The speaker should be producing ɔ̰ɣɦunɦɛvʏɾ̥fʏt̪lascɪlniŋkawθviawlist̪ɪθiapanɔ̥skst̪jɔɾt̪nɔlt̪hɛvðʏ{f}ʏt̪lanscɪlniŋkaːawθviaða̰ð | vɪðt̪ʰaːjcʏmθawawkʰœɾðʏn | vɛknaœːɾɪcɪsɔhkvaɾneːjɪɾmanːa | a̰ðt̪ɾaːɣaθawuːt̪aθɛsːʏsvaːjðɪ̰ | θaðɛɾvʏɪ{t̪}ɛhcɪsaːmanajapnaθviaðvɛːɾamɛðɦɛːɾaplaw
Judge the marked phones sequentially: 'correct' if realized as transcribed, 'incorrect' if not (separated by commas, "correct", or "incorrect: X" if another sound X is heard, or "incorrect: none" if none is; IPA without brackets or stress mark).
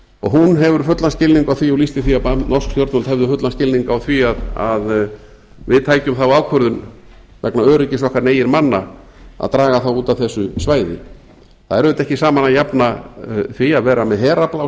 correct, correct